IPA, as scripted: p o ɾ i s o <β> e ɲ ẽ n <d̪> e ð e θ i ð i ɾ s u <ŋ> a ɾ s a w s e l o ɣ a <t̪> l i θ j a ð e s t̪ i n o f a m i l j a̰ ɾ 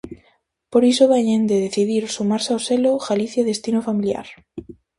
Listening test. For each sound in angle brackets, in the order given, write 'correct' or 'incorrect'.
correct, correct, incorrect: m, incorrect: none

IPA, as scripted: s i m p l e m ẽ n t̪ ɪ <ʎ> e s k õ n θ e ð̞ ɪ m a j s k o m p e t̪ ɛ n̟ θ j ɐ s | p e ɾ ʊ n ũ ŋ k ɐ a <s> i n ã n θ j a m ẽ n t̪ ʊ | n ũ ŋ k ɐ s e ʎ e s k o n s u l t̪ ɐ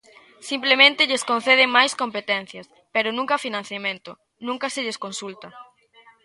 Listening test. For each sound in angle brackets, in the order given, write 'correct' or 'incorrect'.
correct, incorrect: f

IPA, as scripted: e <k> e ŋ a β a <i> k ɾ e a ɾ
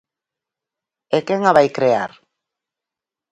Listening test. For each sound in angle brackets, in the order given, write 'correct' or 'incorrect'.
correct, incorrect: j

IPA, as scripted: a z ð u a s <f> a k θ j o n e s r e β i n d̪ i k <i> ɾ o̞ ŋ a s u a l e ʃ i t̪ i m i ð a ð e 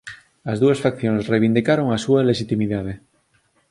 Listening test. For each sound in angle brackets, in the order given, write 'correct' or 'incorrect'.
correct, incorrect: a

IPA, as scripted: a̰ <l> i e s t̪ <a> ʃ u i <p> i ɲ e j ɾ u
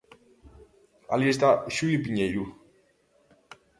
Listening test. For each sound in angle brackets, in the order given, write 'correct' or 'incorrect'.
correct, correct, correct

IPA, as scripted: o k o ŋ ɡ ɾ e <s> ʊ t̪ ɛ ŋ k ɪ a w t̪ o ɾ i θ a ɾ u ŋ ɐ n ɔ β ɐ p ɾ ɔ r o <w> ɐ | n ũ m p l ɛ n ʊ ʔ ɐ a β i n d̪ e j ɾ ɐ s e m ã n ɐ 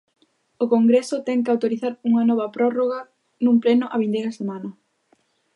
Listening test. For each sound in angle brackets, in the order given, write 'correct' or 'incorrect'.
correct, incorrect: ɣ

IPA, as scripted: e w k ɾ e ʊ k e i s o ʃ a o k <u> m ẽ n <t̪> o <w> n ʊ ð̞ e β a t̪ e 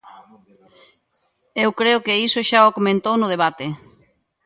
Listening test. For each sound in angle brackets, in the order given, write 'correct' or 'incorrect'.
incorrect: o, correct, correct

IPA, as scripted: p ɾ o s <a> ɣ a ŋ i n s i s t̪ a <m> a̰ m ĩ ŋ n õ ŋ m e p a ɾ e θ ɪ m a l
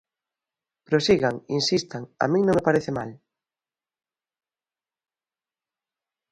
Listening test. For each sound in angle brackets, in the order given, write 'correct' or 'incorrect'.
incorrect: i, incorrect: ŋ

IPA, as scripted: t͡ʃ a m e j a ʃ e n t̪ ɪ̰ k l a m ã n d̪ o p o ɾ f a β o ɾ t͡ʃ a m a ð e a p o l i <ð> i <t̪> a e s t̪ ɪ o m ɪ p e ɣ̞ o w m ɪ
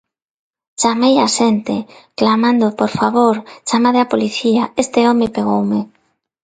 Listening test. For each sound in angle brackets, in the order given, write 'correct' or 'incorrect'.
incorrect: θ, incorrect: none

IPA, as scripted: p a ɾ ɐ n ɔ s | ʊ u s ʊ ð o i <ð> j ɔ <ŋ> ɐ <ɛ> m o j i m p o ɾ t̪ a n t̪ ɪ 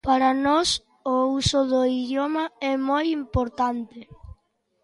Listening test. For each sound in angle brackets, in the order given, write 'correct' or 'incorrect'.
correct, incorrect: m, correct

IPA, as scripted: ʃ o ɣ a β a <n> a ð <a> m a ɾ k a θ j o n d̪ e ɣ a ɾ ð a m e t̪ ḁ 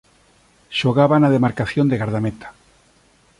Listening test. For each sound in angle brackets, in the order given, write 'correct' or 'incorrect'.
correct, incorrect: e

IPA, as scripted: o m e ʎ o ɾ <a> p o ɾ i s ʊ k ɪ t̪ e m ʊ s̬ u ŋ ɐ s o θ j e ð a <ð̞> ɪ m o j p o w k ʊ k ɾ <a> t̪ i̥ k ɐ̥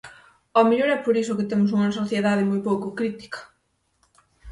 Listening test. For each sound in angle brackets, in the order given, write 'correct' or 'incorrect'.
incorrect: ɛ, correct, incorrect: i

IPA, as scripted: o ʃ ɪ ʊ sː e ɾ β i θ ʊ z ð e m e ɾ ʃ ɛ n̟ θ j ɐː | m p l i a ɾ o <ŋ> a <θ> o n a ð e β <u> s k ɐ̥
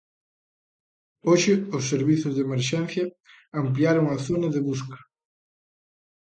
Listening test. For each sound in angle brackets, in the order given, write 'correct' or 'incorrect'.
correct, correct, correct

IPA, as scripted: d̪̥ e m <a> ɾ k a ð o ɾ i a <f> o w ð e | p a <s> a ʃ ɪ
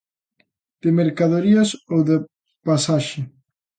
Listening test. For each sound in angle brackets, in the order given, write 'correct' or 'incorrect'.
incorrect: e, incorrect: s, correct

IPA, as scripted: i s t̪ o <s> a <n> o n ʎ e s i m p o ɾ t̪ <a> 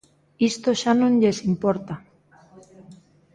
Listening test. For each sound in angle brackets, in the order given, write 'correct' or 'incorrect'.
incorrect: ʃ, correct, correct

